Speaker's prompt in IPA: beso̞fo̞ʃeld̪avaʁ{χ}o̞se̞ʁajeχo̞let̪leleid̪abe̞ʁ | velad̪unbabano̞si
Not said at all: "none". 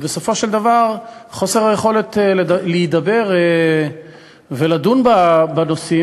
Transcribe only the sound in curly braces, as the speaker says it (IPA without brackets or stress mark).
χ